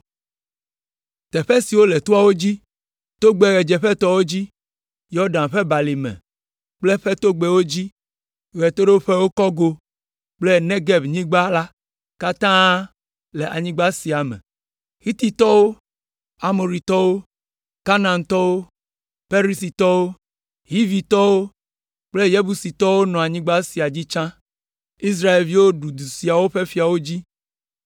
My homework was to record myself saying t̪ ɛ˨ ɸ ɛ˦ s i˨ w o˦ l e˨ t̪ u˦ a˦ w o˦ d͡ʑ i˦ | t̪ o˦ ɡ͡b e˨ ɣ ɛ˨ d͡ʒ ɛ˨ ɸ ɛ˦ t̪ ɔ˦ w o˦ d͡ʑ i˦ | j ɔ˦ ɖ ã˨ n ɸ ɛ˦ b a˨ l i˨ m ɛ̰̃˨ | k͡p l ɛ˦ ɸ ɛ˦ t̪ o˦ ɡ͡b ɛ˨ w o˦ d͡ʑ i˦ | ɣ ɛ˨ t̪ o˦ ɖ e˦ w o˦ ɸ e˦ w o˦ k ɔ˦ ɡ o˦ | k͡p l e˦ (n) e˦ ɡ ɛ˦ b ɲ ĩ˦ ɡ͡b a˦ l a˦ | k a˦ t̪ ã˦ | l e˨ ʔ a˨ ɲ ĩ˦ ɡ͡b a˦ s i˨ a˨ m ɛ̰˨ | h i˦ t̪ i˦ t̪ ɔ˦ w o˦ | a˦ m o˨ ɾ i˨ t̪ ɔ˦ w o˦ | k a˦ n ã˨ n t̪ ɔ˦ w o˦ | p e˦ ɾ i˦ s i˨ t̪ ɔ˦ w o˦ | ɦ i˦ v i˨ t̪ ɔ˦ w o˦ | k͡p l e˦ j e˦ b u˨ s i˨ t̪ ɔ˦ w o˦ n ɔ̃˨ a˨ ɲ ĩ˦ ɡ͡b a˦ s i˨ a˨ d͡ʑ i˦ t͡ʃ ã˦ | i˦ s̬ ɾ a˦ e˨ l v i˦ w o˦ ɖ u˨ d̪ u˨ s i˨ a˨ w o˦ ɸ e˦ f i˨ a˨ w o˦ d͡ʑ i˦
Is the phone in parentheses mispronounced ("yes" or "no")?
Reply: no